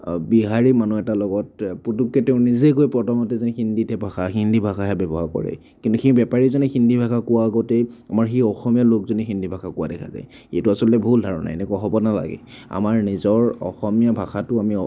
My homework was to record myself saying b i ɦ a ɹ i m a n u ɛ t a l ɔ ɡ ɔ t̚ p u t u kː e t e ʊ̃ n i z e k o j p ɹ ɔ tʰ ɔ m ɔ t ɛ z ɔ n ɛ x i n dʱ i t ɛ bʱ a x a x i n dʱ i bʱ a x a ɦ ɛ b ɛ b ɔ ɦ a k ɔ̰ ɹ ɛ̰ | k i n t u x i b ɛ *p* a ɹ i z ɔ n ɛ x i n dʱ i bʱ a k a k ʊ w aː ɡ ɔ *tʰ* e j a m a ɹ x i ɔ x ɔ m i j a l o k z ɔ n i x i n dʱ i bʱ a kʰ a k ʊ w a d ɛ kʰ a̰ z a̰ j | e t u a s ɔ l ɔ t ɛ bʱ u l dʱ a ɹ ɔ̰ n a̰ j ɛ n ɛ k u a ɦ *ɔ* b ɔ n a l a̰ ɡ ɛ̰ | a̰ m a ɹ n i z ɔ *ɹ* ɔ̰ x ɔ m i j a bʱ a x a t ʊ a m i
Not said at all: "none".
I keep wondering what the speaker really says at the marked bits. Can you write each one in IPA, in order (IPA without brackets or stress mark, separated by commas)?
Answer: p, t, ɔ, ɹ